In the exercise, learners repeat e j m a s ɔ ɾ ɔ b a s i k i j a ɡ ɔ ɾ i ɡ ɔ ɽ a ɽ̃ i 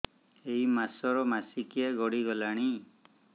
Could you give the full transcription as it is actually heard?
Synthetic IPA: e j m a s ɔ ɾ ɔ m a s i k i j a ɡ ɔ ɽ i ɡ ɔ l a ɽ̃ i